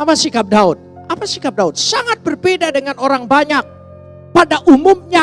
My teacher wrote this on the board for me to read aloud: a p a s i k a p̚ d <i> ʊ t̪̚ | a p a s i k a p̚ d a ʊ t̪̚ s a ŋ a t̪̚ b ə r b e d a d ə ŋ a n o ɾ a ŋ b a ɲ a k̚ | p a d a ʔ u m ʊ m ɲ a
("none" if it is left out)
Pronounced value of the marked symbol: a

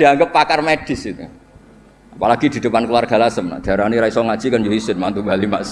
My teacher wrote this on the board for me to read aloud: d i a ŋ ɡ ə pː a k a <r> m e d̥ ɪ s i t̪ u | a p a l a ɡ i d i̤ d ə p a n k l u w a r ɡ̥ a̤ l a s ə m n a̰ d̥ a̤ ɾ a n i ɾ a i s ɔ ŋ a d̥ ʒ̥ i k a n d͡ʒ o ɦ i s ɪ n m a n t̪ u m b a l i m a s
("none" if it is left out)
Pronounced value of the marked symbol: r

